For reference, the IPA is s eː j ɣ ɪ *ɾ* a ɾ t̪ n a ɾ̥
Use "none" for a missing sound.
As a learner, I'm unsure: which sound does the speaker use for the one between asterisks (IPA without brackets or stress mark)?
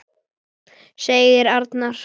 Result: ɾ